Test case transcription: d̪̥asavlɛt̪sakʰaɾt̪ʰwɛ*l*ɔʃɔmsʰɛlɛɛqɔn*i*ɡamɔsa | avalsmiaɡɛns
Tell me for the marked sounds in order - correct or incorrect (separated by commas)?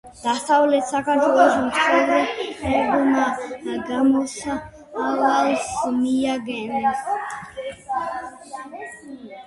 correct, incorrect